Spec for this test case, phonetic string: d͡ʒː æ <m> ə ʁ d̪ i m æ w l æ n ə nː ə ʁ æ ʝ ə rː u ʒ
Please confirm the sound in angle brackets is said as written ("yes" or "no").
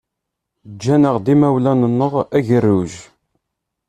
no